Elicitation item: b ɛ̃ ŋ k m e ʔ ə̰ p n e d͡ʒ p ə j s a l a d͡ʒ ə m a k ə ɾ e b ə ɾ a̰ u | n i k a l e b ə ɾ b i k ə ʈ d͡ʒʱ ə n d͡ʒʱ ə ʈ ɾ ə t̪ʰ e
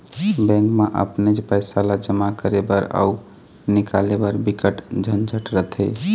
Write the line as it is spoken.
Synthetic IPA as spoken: b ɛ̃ ŋ k m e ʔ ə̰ p n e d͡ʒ p ə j s a l a d͡ʒ ə m a k ə ɾ e b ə ɾ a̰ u | n i k a l e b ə ɾ b i k ə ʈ d͡ʒʱ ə n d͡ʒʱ ə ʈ ɾ ə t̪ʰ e